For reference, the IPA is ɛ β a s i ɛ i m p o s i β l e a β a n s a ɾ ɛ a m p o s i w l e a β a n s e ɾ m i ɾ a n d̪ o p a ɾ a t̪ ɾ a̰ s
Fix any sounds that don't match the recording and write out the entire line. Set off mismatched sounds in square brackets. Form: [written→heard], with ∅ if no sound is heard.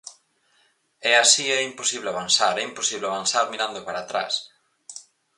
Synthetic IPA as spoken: ɛ [β→∅] a s i ɛ i m p o s i β l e a β a n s a ɾ ɛ [a→i] m p o s i [w→β] l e a β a n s [e→a] ɾ m i ɾ a n d̪ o p a ɾ a t̪ ɾ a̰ s